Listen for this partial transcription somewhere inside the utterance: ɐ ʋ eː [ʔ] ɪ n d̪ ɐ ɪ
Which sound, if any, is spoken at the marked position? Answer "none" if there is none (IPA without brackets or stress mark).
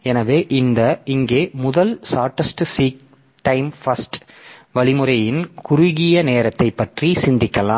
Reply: ʔ